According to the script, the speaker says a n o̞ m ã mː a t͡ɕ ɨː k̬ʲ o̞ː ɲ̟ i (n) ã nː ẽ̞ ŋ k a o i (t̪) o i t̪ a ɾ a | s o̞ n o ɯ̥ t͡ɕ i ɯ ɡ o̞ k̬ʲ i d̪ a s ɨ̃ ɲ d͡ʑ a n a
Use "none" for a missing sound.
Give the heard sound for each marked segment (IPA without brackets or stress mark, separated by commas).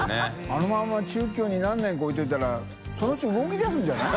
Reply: n, t̪